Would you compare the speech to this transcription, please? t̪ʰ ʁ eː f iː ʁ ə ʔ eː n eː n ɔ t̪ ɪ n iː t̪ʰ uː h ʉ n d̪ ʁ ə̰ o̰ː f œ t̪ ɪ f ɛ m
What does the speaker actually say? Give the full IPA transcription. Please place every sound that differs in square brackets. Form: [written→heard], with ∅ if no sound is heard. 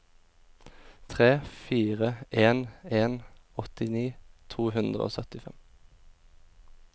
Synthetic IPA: t̪ʰ ʁ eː f iː ʁ ə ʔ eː n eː n ɔ t̪ ɪ n iː t̪ʰ uː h ʉ n d̪ ʁ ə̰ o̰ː [f→s] œ t̪ ɪ f ɛ m